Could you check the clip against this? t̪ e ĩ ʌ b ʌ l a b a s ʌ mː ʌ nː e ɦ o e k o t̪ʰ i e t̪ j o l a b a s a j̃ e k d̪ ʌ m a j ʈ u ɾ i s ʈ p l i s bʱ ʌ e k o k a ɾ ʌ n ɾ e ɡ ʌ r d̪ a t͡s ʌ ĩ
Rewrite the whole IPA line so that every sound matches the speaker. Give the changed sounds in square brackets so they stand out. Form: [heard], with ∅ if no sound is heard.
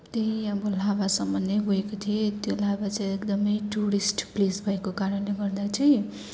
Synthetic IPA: t̪ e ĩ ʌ b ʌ l a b a s ʌ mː ʌ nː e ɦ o e k o t̪ʰ i e t̪ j o l a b a [t͡s] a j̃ e k d̪ ʌ m [ʌ] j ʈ u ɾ i s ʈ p l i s bʱ ʌ e k o k a ɾ ʌ n [l] e ɡ ʌ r d̪ a t͡s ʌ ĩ

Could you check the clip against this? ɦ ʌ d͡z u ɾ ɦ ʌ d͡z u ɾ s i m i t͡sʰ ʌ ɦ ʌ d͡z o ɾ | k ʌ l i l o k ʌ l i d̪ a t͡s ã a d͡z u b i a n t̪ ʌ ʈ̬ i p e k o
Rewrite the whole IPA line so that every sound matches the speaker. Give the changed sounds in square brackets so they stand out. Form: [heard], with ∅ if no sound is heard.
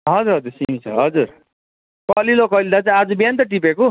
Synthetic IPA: ɦ ʌ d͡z u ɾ ɦ ʌ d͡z u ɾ s i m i t͡sʰ ʌ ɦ ʌ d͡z [u] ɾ | k ʌ l i l o k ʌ l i d̪ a t͡s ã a d͡z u b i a n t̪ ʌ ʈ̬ i p e k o

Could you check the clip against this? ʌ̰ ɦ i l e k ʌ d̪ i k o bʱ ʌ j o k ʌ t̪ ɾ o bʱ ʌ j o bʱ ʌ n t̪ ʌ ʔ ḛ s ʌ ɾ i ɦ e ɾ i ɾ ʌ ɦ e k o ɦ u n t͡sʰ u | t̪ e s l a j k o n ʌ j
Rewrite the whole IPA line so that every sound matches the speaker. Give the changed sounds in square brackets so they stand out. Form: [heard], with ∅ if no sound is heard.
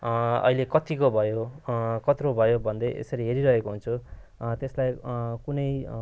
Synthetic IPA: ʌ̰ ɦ i l e k ʌ [t̪] i k o bʱ ʌ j o k ʌ t̪ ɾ o bʱ ʌ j o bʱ ʌ n [d̪] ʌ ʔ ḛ s ʌ ɾ i ɦ e ɾ i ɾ ʌ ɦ e k o ɦ u n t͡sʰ u | t̪ e s l a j k [u] n ʌ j

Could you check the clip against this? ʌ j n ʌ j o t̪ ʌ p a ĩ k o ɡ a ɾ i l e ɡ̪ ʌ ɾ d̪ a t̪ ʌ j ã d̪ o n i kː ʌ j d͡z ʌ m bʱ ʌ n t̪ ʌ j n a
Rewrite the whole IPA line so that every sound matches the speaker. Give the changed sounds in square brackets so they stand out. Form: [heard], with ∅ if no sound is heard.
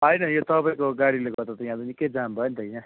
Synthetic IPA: ʌ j n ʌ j o t̪ ʌ p a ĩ k o ɡ a [ɽ] i l e ɡ̪ ʌ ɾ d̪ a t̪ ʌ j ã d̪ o n i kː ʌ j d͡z [a] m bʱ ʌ n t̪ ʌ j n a

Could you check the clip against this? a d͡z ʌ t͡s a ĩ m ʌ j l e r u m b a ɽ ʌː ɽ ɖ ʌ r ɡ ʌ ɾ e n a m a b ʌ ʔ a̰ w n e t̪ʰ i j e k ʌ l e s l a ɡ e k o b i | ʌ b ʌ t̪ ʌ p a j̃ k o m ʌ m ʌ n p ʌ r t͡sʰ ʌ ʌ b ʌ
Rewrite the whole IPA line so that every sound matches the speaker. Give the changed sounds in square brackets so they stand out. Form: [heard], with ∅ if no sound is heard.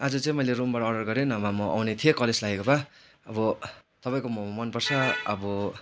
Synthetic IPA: a d͡z ʌ t͡s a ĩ m ʌ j l e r u m b a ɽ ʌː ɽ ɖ ʌ r ɡ ʌ ɾ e n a m a [m] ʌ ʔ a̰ w n e t̪ʰ i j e k ʌ l e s l a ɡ e k o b [a] | ʌ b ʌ t̪ ʌ p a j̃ k o m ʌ m ʌ n p ʌ r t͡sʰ ʌ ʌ b ʌ

